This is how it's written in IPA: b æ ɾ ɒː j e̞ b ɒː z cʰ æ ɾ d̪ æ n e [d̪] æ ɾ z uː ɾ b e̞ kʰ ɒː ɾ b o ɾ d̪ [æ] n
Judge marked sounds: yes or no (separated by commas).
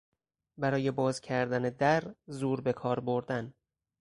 yes, yes